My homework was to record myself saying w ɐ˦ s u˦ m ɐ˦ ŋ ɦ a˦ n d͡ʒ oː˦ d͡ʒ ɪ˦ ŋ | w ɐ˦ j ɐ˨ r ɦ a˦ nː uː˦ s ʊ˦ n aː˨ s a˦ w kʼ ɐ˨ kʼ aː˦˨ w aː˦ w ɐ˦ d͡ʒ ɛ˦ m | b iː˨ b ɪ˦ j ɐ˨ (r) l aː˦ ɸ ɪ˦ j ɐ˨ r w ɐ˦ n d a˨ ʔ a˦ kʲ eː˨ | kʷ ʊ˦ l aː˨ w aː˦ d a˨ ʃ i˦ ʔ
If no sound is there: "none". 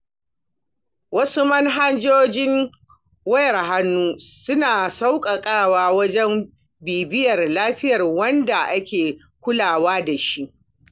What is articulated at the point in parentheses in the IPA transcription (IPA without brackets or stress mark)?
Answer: r